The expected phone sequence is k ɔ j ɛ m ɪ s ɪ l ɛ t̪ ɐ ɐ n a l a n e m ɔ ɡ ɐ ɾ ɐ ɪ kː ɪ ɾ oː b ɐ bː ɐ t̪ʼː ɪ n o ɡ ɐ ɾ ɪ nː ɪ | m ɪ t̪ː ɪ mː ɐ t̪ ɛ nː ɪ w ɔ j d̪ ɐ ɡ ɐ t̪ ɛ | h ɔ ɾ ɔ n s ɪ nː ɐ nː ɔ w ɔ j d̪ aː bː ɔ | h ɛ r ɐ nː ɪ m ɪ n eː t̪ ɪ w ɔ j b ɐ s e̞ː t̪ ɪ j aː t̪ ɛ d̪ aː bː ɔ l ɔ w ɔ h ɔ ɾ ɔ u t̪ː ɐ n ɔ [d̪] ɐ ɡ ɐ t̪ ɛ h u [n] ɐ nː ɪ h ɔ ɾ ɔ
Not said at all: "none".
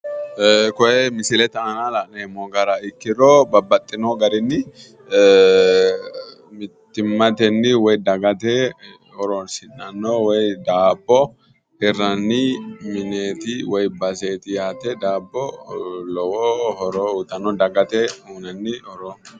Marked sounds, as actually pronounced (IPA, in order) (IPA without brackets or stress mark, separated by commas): d̪, n